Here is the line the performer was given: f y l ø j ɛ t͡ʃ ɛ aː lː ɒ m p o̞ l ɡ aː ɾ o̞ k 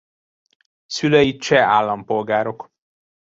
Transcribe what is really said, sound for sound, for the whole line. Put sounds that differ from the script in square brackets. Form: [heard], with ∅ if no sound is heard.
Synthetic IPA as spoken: [s] y l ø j [i] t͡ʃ ɛ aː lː ɒ m p o̞ l ɡ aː ɾ o̞ k